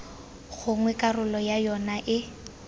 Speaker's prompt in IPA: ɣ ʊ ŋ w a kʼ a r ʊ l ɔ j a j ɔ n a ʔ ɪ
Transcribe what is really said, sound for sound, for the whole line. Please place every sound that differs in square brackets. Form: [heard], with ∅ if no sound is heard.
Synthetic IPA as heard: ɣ ʊ ŋ w [ɛ] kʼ a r ʊ l ɔ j a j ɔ n a ʔ ɪ